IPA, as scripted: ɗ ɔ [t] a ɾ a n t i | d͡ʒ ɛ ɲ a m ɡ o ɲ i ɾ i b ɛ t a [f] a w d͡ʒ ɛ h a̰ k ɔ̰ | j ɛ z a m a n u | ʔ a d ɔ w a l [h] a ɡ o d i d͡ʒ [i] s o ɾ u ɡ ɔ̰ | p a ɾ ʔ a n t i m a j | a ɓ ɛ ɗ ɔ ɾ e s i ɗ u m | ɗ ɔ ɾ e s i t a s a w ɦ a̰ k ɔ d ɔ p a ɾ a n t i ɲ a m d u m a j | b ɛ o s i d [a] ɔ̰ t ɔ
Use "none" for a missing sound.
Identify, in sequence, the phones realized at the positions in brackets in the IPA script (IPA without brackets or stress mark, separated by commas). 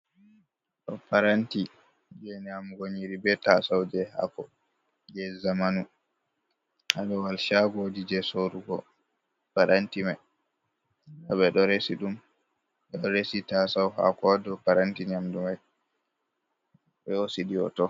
p, s, ʃ, ɛ, i